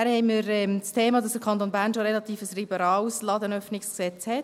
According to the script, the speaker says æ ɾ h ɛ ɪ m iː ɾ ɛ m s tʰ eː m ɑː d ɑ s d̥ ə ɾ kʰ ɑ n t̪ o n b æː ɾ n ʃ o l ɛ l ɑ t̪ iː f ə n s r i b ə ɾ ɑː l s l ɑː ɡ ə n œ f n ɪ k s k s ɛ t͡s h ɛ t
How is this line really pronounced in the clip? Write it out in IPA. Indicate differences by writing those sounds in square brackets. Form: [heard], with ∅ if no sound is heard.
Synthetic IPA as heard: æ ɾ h ɛ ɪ m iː ɾ ɛ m s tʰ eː m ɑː d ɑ s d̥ ə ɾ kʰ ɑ n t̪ o n b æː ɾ n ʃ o [ɾ] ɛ l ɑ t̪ iː f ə [∅] s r i b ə ɾ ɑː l s l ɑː [d] ə n œ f n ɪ k s k s ɛ t͡s h ɛ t